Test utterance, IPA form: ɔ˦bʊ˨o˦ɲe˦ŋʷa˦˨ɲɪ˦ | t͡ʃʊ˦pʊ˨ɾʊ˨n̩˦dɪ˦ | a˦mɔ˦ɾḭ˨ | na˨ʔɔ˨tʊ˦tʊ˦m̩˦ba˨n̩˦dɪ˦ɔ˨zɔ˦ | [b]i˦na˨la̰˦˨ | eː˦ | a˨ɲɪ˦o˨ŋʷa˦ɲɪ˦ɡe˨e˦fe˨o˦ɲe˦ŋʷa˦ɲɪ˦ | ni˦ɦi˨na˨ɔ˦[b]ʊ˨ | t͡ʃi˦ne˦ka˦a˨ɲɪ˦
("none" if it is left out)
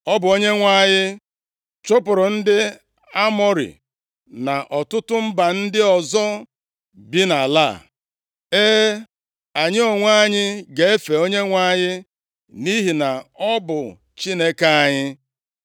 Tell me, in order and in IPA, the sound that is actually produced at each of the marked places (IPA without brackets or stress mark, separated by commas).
b, b